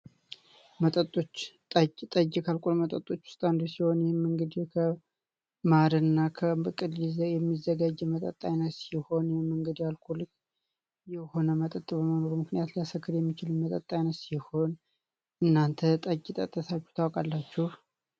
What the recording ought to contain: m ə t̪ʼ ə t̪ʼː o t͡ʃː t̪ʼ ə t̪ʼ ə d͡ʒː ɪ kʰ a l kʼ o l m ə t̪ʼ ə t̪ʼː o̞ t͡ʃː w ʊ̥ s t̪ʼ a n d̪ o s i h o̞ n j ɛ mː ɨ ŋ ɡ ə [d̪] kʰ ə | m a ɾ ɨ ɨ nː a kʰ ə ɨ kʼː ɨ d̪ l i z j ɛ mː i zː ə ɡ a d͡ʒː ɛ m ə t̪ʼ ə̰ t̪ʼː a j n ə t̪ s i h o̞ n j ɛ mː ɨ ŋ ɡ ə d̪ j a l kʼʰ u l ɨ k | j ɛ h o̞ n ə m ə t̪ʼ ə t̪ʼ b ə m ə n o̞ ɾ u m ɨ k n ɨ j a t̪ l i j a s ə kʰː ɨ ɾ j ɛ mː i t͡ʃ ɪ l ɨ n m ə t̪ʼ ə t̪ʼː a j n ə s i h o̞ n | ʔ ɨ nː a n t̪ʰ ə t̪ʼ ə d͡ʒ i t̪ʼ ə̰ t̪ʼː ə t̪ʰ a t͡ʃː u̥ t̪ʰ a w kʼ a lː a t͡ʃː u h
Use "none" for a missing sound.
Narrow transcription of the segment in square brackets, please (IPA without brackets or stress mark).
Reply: d̪